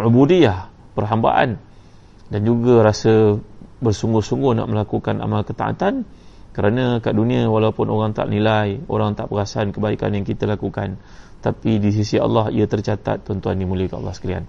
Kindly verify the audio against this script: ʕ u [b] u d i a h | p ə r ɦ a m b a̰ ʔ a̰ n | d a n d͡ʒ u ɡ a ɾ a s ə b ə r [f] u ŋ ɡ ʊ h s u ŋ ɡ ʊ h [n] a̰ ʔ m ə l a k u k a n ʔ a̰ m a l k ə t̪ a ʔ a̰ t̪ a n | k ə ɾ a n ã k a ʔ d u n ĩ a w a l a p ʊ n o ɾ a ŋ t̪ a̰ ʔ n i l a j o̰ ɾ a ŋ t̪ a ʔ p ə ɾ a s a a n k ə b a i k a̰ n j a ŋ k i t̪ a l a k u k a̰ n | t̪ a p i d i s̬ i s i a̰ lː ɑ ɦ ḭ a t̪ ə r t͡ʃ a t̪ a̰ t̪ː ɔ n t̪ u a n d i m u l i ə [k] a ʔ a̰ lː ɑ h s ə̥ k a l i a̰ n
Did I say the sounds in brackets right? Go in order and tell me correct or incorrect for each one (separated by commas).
correct, incorrect, correct, correct